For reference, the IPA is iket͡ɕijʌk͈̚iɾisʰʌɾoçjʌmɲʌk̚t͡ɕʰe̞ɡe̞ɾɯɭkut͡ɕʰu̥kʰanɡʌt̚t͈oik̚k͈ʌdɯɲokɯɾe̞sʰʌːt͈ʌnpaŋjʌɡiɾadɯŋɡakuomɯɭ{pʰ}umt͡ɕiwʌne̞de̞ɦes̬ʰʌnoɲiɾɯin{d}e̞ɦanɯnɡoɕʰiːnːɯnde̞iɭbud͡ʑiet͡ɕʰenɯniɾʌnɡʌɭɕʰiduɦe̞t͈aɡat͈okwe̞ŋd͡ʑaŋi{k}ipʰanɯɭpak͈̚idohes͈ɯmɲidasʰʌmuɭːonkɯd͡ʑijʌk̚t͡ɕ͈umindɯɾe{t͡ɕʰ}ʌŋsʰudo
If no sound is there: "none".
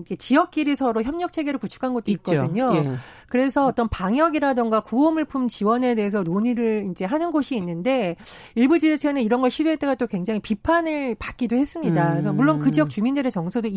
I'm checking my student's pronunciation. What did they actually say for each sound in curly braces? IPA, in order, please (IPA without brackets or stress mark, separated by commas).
pʰ, d͡ʑ, p, t͡ɕ